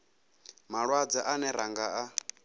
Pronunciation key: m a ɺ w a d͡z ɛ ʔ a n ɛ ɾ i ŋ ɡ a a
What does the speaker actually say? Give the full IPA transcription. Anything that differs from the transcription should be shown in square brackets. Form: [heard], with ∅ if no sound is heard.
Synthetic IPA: m a ɺ w a d͡z [a] ʔ a n ɛ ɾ [a] ŋ ɡ a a